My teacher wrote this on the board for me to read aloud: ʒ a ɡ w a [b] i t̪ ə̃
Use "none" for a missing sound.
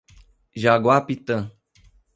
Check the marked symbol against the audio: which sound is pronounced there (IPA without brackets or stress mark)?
p